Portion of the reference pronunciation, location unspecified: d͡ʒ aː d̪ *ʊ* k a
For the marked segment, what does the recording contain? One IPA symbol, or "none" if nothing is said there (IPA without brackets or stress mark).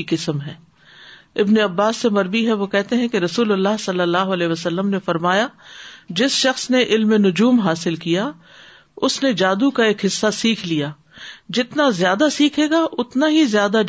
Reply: u